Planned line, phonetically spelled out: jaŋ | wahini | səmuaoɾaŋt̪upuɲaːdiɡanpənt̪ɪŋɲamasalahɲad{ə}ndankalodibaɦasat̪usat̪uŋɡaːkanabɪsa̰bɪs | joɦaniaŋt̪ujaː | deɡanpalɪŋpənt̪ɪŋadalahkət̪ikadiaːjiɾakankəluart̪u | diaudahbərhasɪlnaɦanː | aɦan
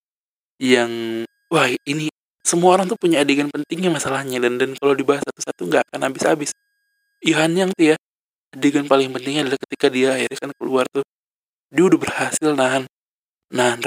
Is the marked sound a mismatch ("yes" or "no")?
yes